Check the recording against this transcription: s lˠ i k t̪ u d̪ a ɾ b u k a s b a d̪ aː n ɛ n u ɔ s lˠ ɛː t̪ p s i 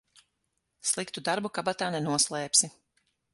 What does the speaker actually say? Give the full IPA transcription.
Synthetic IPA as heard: s lˠ i k t̪ u d̪ a ɾ b u k a b a t̪ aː n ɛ n u ɔ s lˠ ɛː p s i